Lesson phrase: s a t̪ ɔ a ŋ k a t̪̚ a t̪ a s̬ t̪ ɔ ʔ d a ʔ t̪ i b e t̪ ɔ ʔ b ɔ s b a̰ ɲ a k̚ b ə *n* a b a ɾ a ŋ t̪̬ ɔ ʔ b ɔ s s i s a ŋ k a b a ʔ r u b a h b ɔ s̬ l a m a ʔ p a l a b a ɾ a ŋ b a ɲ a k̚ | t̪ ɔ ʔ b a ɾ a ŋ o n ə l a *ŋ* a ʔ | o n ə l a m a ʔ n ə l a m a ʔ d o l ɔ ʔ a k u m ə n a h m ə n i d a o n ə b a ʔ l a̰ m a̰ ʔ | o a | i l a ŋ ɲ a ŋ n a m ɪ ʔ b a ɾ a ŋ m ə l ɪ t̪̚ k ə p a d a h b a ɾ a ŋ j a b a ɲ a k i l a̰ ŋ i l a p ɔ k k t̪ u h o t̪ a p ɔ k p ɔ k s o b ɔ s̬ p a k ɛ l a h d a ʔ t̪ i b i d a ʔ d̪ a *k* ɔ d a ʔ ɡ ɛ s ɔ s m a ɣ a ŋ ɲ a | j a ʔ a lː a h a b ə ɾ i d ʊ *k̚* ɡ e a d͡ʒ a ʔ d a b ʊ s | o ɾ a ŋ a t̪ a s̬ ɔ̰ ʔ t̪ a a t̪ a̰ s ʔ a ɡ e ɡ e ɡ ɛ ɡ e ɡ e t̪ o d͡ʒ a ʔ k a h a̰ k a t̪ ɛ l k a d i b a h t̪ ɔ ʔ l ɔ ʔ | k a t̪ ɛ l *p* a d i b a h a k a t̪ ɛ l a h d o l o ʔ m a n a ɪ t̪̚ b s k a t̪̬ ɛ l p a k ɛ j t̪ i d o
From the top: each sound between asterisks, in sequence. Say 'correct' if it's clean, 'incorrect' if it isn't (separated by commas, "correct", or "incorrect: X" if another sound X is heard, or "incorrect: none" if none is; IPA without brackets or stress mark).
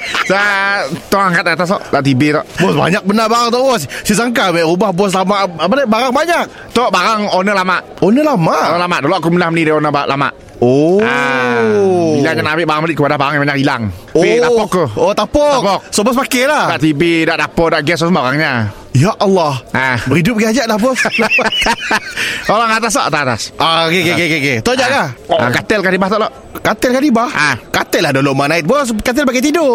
correct, incorrect: m, incorrect: p, incorrect: p̚, incorrect: k